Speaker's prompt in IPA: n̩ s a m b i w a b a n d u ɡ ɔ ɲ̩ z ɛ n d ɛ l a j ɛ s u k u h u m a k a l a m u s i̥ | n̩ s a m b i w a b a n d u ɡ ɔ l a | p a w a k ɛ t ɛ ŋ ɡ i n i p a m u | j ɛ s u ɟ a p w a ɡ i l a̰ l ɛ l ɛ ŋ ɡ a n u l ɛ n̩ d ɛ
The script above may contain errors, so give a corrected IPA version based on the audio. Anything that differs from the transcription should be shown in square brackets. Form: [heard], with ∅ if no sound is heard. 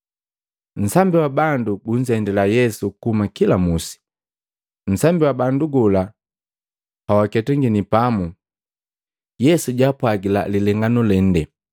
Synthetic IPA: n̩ s a m b i w a b a n d u ɡ [u] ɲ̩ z ɛ n d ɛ l a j ɛ s u k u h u m a k [i] l a m u s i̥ | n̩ s a m b i w a b a n d u ɡ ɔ l a | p a w a k ɛ t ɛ ŋ ɡ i n i p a m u | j ɛ s u ɟ a p w a ɡ i l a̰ l [i] l ɛ ŋ ɡ a n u l ɛ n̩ d ɛ